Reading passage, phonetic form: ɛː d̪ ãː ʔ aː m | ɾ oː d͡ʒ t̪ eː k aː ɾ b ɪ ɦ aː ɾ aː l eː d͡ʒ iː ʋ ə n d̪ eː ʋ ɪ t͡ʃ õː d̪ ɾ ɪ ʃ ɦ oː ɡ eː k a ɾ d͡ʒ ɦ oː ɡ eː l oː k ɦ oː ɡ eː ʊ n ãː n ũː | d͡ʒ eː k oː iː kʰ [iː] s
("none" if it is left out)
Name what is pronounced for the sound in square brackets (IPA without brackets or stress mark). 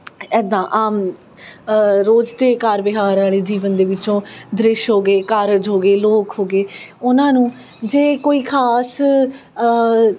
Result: aː